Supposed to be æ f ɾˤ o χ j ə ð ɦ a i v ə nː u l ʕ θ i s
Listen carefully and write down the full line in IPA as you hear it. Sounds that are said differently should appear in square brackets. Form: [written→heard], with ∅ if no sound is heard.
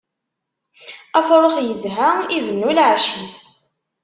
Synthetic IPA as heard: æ f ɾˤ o χ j ə [ð→z] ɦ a i v ə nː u l ʕ [θ→ʃ] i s